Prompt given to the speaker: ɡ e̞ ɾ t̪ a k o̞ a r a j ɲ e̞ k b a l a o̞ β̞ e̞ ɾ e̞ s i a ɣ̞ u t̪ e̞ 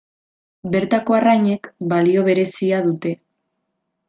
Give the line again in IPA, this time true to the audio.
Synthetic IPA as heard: b e̞ ɾ t̪ a k o̞ a r a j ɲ e̞ k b a l i o̞ β̞ e̞ ɾ e̞ s i a ð̞ u t̪ e̞